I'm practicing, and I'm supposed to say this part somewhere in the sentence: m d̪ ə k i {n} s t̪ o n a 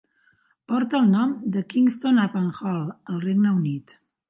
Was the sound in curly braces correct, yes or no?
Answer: no